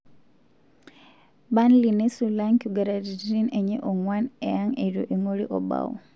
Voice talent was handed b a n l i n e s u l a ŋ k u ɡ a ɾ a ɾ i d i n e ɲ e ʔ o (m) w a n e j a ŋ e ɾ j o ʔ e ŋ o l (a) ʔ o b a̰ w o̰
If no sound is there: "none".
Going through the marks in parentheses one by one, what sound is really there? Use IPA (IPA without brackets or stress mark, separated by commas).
ŋ, i